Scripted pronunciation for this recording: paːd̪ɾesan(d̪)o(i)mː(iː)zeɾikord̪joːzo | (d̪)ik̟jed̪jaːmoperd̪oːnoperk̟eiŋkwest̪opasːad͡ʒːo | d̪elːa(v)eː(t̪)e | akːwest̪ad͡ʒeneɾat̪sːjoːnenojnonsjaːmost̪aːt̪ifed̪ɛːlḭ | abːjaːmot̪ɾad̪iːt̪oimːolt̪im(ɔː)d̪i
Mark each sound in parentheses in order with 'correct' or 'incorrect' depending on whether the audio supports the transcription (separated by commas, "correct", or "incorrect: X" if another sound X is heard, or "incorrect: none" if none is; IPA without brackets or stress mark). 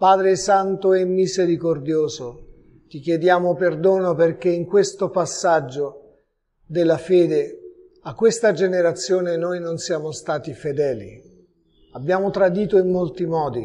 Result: incorrect: t̪, incorrect: ɛ, incorrect: i, incorrect: t̪, incorrect: f, incorrect: d̪, correct